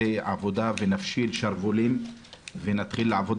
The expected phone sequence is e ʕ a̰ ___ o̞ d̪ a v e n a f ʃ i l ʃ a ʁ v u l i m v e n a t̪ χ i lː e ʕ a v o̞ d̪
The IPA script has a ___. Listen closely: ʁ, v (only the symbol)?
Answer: v